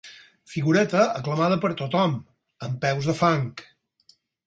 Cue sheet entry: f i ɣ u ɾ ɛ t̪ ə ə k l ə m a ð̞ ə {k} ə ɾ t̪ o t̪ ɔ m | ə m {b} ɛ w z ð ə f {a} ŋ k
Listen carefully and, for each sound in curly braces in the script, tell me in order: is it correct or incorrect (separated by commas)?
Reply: incorrect, incorrect, correct